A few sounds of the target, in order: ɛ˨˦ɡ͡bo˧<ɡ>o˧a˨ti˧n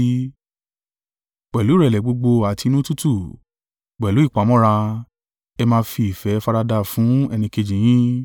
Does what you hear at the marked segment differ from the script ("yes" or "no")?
yes